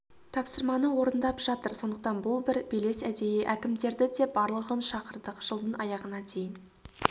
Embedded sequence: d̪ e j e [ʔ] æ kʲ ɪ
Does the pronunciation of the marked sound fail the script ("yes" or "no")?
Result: no